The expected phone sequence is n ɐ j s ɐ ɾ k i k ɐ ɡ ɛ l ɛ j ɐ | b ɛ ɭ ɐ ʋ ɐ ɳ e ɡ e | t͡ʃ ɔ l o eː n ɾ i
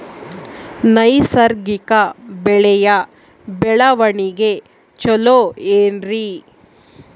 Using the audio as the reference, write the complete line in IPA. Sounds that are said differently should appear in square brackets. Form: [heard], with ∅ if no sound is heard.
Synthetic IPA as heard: n ɐ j s ɐ ɾ [ɡ] i k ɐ [b] ɛ [ɭ] ɛ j ɐ | b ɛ ɭ ɐ ʋ ɐ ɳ [i] ɡ e | t͡ʃ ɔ l o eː n ɾ i